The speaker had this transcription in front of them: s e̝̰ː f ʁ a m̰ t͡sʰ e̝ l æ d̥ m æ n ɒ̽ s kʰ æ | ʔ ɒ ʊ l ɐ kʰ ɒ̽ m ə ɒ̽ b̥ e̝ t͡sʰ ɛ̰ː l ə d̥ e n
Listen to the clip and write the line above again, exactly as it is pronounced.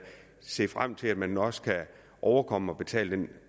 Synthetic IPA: s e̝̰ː f ʁ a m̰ t͡sʰ e̝ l æ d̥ m æ n ɒ̽ s kʰ æ | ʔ ɒ ʊ ɐ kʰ ɒ̽ m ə ɒ̽ b̥ e̝ t͡sʰ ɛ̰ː l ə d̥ e n